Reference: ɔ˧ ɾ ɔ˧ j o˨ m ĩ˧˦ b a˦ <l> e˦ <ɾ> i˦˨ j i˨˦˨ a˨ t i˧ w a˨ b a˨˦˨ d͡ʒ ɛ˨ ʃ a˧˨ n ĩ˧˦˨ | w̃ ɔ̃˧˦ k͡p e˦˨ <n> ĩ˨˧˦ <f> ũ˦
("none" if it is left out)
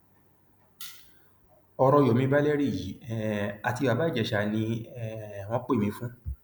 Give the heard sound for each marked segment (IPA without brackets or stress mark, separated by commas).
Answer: l, ɾ, m, f